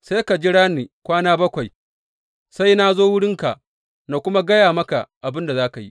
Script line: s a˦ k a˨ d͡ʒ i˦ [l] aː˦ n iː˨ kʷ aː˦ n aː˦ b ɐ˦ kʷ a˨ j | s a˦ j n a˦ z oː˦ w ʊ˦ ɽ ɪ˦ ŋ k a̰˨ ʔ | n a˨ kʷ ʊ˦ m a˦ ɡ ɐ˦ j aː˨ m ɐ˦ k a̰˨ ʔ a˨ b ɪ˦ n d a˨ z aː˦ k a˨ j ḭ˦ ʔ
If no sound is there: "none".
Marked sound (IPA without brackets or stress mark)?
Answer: ɽ